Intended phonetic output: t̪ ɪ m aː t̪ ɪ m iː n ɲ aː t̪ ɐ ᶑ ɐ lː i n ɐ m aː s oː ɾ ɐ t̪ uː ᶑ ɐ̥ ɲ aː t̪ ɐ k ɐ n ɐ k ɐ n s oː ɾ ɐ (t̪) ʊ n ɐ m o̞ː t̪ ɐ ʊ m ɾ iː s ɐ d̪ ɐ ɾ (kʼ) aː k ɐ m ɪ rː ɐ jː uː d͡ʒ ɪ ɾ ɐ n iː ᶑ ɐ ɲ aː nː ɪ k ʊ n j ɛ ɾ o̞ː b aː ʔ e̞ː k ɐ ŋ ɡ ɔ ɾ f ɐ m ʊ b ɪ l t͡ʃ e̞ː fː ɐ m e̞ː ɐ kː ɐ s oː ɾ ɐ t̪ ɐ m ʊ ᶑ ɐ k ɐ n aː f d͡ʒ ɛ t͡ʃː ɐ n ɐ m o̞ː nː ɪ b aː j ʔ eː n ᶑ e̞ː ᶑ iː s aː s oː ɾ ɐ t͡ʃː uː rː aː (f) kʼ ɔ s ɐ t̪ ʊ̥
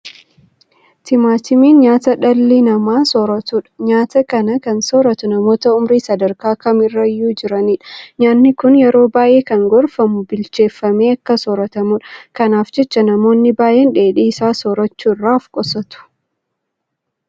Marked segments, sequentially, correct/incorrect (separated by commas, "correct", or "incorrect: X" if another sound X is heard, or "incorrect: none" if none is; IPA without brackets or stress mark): correct, incorrect: k, correct